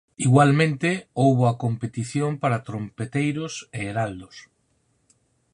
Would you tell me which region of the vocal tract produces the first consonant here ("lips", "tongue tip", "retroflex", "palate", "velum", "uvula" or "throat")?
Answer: velum